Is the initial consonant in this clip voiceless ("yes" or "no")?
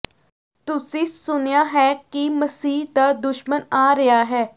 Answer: yes